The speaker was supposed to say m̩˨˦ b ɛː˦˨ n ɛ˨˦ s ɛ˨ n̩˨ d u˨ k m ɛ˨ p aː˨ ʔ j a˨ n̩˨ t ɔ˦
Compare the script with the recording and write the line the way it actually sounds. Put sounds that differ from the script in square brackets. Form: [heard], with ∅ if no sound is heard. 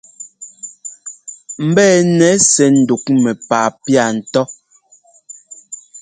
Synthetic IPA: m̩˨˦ b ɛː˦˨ n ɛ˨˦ s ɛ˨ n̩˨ d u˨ k m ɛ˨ p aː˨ [p] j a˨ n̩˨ t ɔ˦